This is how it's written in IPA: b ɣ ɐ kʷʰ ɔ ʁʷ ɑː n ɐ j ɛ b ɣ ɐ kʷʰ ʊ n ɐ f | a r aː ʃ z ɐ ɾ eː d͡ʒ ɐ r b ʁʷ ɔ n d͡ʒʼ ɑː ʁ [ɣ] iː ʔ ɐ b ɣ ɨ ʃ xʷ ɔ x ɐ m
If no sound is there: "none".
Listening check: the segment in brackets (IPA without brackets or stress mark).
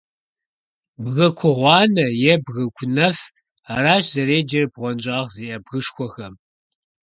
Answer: z